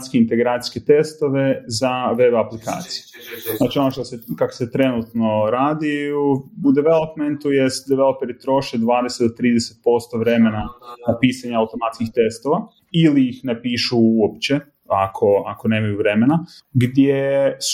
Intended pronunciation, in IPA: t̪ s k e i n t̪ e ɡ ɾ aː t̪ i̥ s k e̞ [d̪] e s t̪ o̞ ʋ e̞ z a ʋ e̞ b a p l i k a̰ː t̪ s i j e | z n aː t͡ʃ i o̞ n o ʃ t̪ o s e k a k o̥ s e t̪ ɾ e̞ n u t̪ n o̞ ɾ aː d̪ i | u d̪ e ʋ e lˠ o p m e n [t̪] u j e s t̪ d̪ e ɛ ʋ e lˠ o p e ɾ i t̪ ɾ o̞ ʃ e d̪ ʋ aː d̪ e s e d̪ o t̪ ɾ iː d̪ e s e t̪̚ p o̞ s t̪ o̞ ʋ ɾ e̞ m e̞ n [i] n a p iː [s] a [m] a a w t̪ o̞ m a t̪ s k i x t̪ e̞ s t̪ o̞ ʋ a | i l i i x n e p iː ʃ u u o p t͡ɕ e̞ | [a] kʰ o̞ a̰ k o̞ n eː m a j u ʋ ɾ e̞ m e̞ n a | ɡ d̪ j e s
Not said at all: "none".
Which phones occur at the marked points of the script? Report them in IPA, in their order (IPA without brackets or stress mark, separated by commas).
t̪, t̪, a, s, ɲ, a